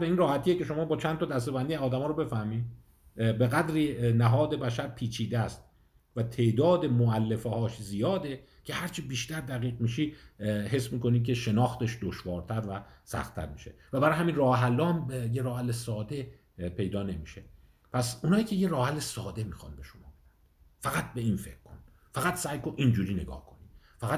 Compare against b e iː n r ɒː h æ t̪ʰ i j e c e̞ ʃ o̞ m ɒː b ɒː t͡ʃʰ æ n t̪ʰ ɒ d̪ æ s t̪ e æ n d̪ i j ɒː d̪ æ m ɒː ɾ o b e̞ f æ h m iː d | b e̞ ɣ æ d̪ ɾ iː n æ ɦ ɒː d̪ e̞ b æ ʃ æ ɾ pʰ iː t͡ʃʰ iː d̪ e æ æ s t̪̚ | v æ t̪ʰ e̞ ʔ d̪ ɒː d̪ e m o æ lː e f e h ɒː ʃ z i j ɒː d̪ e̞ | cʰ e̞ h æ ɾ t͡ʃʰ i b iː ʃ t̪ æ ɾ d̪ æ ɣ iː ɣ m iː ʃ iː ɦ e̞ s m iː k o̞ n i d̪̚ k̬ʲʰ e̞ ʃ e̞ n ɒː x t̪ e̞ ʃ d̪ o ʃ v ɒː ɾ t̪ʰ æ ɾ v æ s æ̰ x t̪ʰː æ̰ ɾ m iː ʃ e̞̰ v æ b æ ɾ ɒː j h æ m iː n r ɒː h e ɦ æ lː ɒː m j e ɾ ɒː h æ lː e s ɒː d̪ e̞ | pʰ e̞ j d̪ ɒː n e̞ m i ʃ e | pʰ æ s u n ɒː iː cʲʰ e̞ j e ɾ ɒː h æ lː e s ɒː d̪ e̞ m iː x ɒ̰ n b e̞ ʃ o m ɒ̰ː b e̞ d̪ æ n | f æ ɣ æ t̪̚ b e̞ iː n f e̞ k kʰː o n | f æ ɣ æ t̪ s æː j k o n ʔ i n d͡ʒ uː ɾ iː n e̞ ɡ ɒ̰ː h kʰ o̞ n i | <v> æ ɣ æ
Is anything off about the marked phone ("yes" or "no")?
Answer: yes